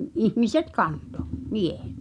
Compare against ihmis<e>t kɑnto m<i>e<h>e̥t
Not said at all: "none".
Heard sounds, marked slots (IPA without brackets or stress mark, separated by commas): e, i, h